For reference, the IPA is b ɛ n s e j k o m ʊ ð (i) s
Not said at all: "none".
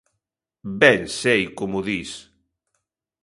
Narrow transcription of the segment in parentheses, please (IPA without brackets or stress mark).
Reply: i